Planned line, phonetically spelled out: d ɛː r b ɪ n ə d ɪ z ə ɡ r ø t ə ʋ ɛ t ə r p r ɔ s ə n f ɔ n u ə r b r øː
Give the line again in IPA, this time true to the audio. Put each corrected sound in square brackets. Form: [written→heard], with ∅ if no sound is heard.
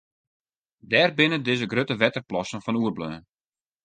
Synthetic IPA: d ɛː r b ɪ n ə d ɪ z ə ɡ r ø t ə ʋ ɛ t ə r p [r→l] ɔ s ə n f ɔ n u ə r b [r→l] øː